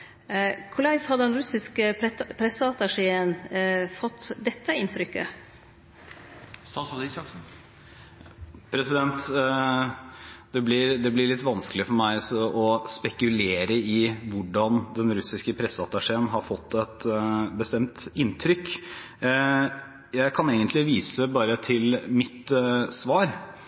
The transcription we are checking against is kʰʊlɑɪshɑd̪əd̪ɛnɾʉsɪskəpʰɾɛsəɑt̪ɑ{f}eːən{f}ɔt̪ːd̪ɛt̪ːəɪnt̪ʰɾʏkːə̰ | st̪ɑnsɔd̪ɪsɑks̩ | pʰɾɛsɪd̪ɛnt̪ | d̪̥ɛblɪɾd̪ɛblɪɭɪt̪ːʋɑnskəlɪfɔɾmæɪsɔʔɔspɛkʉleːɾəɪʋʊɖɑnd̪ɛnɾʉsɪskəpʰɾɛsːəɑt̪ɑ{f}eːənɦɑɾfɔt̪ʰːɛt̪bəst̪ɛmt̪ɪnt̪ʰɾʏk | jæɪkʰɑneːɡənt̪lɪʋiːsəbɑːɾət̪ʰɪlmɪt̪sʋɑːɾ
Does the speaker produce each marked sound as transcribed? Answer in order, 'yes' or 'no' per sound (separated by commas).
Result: no, yes, no